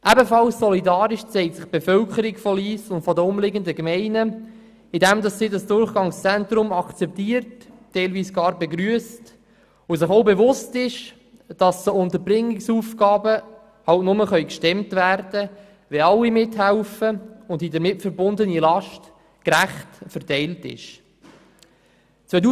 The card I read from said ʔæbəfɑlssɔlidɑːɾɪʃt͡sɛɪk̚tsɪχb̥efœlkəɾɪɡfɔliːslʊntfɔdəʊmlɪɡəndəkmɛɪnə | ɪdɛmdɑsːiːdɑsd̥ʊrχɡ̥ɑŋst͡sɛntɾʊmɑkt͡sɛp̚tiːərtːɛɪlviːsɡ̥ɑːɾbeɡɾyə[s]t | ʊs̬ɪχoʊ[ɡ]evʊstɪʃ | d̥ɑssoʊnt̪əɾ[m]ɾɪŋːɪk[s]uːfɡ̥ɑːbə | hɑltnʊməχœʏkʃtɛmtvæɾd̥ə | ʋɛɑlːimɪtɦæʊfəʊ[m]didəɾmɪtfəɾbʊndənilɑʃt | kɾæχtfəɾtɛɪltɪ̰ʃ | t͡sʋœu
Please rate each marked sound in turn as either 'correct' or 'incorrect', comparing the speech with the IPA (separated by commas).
correct, incorrect, incorrect, correct, incorrect